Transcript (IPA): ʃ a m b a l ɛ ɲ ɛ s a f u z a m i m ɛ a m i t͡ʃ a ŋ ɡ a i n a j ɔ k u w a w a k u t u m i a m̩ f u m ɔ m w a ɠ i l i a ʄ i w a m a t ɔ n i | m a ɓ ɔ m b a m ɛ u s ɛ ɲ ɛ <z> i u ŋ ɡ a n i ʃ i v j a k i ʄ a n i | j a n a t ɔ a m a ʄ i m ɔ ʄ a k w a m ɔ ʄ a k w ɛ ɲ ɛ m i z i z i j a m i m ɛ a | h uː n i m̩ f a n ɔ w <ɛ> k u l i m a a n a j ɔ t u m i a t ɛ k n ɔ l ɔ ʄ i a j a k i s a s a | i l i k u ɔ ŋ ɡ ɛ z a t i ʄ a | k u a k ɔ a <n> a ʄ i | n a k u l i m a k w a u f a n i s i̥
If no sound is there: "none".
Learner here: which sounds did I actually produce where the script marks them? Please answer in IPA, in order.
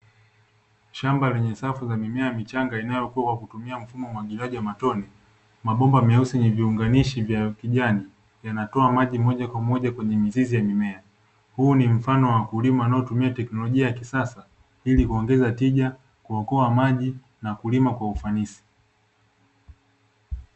v, a, m

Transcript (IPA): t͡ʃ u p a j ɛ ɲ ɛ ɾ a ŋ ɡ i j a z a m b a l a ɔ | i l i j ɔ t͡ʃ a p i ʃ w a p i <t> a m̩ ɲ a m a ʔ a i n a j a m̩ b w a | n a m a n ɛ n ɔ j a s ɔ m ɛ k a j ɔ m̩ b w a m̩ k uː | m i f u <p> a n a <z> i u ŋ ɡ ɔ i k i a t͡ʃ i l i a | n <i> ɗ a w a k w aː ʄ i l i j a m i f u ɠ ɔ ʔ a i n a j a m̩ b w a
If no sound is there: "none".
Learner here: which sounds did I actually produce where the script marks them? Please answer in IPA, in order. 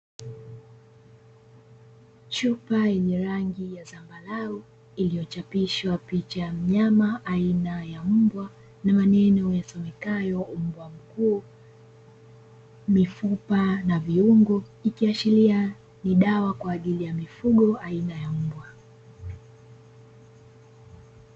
t͡ʃ, p, v, i

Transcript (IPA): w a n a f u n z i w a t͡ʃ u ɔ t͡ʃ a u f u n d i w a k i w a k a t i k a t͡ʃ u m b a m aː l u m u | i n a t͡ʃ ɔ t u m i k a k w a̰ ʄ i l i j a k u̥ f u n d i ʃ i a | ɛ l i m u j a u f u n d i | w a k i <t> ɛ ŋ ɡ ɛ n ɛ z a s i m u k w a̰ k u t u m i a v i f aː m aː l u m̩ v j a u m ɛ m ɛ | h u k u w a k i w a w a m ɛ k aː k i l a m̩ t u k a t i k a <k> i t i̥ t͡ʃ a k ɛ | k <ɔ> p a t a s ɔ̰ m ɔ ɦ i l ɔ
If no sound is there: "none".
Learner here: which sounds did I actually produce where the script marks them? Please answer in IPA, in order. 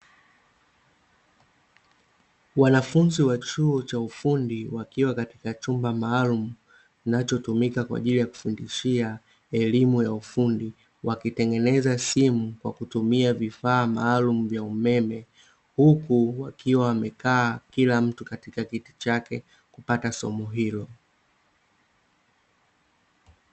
t, k, u

